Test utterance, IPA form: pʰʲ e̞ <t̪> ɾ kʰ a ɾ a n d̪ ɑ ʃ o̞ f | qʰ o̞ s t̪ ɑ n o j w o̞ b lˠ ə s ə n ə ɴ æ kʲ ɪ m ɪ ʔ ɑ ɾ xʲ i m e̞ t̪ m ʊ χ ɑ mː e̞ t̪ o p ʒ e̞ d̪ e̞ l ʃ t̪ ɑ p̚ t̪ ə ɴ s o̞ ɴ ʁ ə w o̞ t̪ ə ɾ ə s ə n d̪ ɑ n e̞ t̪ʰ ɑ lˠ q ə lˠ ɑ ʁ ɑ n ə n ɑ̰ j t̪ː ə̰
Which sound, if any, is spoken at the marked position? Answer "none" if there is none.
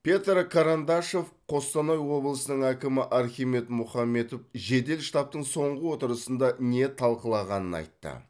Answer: t̪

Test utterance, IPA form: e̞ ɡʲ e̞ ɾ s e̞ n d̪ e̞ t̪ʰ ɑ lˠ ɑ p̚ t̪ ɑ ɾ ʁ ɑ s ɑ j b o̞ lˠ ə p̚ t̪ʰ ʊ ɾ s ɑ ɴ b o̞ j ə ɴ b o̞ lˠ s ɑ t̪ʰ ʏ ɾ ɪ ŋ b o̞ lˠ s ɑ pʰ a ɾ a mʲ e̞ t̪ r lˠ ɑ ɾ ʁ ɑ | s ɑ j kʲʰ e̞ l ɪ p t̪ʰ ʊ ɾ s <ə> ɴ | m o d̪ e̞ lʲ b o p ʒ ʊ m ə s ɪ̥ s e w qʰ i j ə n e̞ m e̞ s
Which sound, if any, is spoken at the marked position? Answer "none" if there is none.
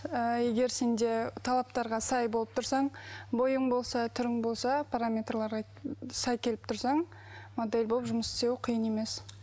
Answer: ɑ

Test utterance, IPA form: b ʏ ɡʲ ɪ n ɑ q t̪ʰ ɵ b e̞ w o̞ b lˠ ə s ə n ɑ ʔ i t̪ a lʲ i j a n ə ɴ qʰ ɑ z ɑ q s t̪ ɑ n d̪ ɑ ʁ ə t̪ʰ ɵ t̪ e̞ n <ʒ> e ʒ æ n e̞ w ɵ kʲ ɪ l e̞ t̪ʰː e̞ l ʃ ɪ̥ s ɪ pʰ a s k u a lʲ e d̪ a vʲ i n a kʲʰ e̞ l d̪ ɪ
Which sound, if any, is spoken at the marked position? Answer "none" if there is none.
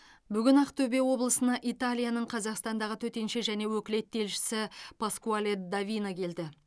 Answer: ʃ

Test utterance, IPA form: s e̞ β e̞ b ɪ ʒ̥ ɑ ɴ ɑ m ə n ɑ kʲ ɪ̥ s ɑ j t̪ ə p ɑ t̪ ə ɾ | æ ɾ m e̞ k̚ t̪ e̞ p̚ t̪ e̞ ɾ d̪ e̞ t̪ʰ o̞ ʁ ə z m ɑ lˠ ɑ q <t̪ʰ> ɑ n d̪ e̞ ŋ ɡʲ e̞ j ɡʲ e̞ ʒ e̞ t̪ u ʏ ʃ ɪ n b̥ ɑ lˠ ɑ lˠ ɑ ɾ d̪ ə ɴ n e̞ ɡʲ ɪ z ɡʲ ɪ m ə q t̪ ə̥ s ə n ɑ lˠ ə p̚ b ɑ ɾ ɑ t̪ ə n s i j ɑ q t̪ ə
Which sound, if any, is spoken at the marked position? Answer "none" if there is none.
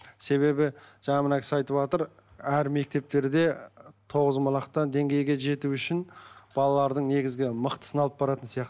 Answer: t̪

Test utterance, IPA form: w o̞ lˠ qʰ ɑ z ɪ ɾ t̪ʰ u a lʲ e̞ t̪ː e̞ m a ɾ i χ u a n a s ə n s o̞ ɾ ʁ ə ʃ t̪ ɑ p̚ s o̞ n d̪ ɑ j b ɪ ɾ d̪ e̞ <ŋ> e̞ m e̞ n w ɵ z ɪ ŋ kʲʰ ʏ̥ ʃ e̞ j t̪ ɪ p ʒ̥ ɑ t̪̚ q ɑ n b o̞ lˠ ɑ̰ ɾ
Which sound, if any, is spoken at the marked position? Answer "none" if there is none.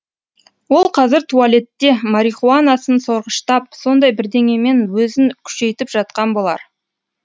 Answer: ŋ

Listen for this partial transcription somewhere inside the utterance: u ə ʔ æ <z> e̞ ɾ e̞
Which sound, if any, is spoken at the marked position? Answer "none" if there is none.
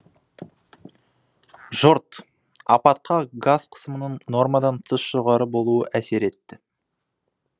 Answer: s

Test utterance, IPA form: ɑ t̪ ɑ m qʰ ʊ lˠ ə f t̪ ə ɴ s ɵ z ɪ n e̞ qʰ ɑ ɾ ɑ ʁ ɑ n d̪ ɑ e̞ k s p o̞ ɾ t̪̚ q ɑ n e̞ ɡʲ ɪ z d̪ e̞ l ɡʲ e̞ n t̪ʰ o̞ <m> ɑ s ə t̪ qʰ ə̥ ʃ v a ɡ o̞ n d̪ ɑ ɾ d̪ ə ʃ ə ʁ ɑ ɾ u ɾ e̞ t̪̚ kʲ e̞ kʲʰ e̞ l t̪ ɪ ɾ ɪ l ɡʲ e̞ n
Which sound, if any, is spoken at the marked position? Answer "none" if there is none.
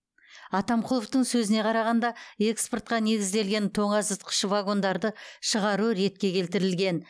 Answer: ɴ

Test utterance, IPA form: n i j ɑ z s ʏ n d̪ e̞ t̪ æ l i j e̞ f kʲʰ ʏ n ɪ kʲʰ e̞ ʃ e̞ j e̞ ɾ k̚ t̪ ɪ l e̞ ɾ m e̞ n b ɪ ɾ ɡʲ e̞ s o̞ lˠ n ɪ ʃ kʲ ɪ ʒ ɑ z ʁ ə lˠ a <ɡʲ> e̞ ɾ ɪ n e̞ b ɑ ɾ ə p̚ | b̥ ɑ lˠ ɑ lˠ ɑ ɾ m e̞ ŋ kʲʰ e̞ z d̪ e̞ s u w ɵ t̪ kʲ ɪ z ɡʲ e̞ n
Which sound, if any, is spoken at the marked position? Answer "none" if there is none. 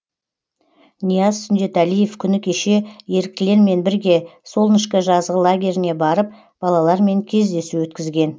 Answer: ɡʲ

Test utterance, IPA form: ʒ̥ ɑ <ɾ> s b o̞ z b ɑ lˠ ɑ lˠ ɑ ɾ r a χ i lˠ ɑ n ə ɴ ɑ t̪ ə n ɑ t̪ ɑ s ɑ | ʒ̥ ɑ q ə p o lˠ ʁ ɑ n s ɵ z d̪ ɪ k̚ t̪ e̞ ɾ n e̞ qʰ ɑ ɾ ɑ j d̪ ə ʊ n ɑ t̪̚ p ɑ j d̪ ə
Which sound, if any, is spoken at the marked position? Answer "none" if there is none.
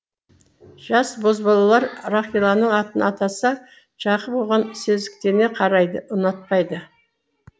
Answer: none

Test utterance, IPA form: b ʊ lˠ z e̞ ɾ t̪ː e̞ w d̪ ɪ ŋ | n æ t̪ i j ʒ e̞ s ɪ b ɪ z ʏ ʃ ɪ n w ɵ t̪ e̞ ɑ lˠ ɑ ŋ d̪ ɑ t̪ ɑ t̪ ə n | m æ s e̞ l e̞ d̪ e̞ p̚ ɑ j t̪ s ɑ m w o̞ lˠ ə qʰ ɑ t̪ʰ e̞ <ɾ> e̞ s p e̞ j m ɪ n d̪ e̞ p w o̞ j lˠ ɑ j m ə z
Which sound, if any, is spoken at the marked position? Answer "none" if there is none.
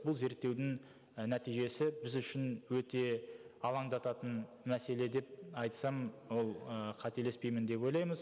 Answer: l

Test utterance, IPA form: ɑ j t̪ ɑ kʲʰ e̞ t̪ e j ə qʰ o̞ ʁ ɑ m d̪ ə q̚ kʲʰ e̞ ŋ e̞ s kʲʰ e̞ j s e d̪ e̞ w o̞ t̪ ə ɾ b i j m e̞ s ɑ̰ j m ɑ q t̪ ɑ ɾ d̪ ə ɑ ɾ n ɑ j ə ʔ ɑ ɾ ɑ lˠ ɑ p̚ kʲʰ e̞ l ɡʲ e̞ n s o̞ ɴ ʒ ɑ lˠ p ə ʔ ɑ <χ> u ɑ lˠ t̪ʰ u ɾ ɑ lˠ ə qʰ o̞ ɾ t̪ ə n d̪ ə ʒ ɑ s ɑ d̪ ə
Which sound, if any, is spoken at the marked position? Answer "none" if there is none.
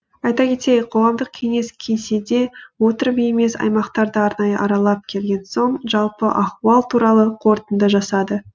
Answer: χ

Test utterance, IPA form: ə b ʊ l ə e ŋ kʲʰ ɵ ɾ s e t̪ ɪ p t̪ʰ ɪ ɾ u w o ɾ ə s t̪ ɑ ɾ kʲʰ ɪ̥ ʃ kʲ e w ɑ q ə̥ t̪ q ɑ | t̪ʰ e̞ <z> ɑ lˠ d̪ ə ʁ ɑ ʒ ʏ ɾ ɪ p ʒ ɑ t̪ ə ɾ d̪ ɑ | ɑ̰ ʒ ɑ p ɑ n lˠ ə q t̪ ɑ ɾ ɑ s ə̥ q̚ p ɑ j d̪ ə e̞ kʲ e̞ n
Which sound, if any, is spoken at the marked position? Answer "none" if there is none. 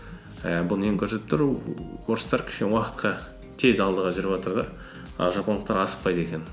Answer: z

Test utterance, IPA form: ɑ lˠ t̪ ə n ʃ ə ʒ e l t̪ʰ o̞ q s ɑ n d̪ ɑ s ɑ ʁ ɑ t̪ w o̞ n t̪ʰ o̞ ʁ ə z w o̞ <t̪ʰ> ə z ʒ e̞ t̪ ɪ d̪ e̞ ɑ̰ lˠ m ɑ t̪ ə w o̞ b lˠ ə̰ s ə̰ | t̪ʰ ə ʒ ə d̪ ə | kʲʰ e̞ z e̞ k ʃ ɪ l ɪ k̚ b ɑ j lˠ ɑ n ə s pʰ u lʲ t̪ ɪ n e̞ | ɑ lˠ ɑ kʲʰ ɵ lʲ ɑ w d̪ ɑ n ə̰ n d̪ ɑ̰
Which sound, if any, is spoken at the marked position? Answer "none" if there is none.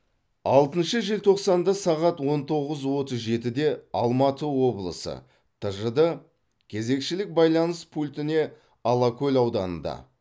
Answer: t̪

